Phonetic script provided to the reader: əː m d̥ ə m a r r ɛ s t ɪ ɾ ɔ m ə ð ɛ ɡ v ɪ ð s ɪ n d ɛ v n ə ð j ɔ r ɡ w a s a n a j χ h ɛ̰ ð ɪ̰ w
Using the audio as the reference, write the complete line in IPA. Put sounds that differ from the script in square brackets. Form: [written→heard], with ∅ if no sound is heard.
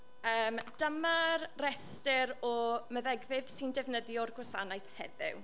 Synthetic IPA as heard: əː m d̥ ə m a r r ɛ s t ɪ ɾ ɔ m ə ð ɛ ɡ v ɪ ð s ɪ n d ɛ v n ə ð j ɔ r ɡ w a s a n a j [χ→θ] h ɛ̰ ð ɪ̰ w